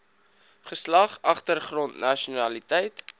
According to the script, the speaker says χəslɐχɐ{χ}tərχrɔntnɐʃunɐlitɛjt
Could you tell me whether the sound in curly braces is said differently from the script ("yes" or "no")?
no